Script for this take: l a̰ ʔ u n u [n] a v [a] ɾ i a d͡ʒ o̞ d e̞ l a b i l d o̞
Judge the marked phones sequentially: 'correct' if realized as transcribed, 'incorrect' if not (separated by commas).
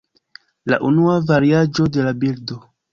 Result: incorrect, correct